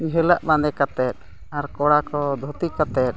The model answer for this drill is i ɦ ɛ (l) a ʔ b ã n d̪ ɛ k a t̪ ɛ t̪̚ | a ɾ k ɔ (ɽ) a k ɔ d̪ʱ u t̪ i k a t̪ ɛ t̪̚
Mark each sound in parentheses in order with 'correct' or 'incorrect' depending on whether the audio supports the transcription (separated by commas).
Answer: correct, correct